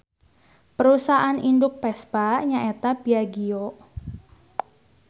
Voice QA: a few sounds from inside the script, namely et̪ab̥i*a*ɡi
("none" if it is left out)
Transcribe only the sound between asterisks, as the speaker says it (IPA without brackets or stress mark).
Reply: a